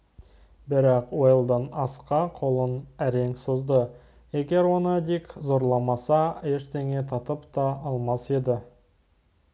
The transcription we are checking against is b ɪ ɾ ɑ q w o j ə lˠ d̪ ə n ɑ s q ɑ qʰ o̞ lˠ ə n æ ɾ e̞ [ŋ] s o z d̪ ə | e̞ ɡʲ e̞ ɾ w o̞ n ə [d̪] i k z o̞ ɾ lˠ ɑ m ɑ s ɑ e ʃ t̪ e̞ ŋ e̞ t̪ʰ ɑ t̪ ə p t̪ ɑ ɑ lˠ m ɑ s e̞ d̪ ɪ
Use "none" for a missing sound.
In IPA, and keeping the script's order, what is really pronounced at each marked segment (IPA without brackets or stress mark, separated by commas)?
ŋ, d̪